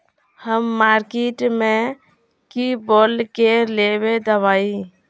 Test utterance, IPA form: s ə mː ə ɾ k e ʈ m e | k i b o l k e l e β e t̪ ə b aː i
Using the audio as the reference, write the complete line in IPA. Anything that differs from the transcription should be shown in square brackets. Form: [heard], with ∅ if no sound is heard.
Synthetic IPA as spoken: [h] ə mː [a] ɾ k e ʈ m e | k i b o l k e l e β e [d̪] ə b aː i